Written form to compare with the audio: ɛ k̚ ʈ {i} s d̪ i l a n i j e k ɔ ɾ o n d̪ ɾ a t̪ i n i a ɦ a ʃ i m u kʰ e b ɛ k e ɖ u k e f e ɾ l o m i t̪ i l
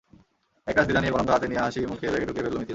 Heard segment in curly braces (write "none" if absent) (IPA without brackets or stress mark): a